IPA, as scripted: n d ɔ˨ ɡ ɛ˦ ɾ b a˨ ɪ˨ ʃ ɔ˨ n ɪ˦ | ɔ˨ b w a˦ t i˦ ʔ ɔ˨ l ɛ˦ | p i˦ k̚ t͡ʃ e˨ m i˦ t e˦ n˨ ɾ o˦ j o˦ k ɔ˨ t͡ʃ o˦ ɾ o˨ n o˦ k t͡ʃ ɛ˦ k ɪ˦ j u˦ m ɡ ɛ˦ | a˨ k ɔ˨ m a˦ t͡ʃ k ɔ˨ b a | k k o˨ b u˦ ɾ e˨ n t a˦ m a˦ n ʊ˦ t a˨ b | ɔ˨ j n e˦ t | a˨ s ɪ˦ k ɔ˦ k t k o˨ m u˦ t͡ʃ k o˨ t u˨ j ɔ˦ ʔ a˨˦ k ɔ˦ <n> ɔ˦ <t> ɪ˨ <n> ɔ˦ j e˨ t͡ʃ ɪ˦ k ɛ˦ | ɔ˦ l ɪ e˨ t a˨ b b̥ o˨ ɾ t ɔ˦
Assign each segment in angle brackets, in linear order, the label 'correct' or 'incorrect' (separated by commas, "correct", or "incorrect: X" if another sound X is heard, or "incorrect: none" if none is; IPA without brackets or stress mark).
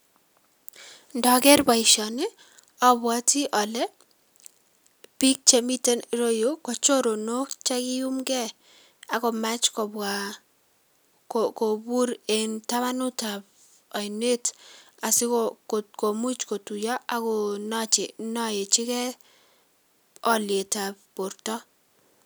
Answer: correct, incorrect: t͡ʃ, correct